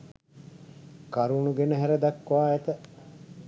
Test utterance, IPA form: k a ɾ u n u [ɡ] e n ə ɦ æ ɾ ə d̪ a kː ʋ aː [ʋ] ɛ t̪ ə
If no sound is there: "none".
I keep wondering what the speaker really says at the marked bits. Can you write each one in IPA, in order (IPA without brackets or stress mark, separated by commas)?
ɡ, none